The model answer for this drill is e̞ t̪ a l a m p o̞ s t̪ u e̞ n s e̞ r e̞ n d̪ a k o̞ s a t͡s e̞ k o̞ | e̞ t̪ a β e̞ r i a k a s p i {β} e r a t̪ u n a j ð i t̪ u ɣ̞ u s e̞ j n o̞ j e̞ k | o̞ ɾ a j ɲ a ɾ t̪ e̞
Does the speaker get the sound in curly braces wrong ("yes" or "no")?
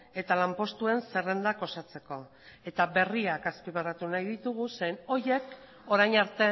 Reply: no